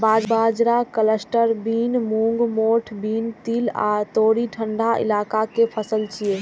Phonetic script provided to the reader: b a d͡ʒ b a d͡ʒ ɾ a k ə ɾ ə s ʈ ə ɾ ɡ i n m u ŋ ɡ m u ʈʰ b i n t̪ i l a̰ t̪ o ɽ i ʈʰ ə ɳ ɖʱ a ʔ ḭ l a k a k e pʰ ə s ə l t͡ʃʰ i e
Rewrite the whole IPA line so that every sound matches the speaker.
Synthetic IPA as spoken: b a d͡ʒ b a d͡ʒ ɾ a k ə l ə s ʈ ə ɾ b i n m u ŋ ɡ m o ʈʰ b i n t̪ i l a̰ t̪ o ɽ i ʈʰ ə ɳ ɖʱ a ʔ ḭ l a k a k e pʰ ə s ə l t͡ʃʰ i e

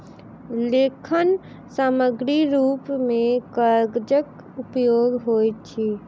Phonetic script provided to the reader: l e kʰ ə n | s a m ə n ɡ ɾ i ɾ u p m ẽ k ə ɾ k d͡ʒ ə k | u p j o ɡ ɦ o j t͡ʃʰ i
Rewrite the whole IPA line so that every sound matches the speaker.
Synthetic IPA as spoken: l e kʰ ə n | s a m ə ɡ ɾ i ɾ u p m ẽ k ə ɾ ɡ d͡ʒ ə k | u p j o ɡ ɦ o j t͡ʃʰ i

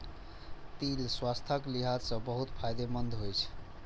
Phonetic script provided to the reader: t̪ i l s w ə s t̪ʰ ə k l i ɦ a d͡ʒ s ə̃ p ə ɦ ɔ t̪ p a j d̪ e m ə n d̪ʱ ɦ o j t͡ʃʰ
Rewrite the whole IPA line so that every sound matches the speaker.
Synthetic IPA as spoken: t̪ i l s w a s t̪ʰ ə k l i ɦ a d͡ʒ s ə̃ b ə ɦ u t̪ pʰ a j d̪ e m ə n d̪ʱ ɦ o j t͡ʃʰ

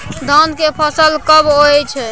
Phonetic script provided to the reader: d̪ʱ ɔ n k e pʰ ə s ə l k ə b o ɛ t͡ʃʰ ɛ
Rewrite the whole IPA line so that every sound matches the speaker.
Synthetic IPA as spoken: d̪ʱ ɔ n k e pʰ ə s ə l k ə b o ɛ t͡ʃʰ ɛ

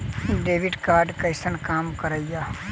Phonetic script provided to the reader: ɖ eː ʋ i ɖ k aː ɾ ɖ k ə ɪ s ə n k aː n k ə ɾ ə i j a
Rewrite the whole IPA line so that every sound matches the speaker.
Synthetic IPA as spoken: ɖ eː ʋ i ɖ k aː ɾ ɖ k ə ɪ s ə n k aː m k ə ɾ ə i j a

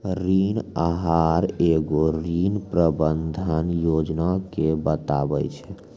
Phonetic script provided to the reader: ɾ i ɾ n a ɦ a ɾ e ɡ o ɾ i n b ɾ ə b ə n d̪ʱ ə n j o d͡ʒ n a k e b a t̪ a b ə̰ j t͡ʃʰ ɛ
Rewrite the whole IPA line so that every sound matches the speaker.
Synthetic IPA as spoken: ɾ i n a ɦ a ɾ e ɡ o ɾ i n p ɾ ə b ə n d̪ʱ ə n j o d͡ʒ n a k e b ə t̪ a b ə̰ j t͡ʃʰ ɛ

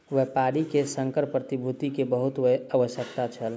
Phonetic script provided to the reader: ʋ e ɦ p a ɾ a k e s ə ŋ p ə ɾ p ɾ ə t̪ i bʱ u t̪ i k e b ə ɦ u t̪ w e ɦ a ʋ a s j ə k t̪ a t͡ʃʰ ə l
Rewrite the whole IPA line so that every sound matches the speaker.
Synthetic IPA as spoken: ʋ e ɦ p a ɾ i k e s ə ŋ k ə ɾ p ɾ ə t̪ i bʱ u t̪ i k e b ə ɦ u t̪ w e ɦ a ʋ ə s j ə k t̪ a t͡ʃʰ ə l

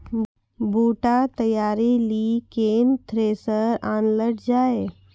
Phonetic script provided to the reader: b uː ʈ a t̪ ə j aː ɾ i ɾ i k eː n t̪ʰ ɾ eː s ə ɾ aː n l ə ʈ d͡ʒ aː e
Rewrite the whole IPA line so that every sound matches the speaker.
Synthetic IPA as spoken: b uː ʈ a t̪ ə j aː ɾ i l i k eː n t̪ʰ ɾ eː s ə ɾ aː n l ə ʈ d͡ʒ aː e

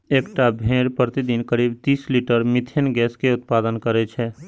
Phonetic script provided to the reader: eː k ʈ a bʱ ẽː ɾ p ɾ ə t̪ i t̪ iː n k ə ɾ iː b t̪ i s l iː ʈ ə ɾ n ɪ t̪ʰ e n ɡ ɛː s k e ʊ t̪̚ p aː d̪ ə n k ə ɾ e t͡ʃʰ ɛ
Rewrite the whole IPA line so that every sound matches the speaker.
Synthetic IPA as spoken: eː k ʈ a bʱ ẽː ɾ p ɾ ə t̪ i d̪ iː n k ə ɾ iː b t̪ iː s l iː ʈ ə ɾ m ɪ t̪ʰ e n ɡ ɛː s k e ʊ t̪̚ p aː d̪ ə n k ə ɾ e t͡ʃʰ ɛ

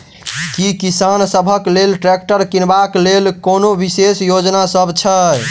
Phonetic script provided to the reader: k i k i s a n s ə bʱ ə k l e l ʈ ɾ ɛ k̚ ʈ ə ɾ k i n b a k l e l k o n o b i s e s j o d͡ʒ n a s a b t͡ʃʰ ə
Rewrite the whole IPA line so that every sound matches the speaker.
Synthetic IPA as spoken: k i k i s a n s ə bʱ ə k l e l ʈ ɾ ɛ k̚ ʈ ə ɾ k i n b a k l e l k o n o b i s e s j o d͡ʒ n a s ə b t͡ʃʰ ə

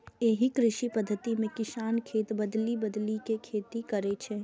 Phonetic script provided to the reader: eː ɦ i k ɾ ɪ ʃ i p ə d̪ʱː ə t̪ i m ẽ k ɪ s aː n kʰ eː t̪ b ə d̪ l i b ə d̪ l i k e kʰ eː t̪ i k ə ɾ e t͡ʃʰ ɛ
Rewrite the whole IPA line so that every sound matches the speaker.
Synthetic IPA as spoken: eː ɦ i k ɾ ɪ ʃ i p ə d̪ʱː ə t̪ i m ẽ k ɪ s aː n kʰ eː t̪ b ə d̪ l i b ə d̪ l i k e kʰ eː t̪ i k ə ɾ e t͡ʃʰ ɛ

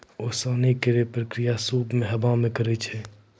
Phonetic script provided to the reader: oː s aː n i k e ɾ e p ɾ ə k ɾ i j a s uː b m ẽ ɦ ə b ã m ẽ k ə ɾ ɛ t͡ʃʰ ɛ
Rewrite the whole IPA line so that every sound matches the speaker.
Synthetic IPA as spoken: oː s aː n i k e ɾ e p ɾ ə k ɾ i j a s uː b m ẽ ɦ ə b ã m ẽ k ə ɾ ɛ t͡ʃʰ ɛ

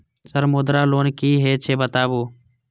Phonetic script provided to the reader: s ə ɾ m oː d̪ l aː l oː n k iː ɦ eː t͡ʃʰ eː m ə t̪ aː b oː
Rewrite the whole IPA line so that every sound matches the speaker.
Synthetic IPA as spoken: s ə ɾ m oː d̪ ɾ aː l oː n k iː ɦ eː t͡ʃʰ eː b ə t̪ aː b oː

